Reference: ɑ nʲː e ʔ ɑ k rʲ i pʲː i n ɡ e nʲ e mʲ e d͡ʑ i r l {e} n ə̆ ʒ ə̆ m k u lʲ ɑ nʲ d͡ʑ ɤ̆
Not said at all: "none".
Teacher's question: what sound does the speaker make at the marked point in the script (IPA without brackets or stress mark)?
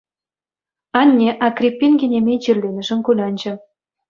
e